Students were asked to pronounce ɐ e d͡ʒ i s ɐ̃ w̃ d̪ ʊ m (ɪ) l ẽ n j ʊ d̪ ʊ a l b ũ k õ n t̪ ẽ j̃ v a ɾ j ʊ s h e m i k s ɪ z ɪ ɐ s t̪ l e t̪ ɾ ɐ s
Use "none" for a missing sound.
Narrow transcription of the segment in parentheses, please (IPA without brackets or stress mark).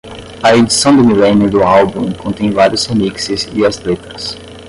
i